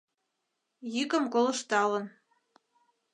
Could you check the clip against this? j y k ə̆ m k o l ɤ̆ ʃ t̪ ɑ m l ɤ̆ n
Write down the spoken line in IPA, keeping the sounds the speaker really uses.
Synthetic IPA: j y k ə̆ m k o l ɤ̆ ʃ t̪ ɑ l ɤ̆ n